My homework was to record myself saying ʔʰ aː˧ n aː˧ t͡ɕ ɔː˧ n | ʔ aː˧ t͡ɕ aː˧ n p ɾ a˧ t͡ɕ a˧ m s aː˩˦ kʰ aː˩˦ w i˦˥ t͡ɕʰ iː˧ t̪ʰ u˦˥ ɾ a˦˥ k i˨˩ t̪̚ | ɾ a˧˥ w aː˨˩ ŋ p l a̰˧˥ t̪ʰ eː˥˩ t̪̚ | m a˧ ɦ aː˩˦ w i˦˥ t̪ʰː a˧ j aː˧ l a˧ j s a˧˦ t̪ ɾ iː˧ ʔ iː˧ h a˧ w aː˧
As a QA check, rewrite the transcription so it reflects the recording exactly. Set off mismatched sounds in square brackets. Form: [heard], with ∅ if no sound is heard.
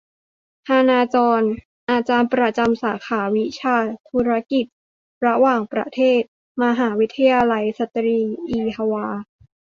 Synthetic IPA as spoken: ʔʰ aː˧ n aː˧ t͡ɕ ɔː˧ n | ʔ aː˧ t͡ɕ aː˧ n p ɾ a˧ t͡ɕ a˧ m s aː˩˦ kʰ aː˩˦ w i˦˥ t͡ɕʰ [aː˧] t̪ʰ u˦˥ ɾ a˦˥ k i˨˩ t̪̚ | ɾ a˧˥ w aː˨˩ ŋ p [ɾ] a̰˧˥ t̪ʰ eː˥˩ t̪̚ | m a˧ ɦ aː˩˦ w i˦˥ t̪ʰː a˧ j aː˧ l a˧ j s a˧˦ t̪ ɾ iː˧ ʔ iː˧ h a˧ w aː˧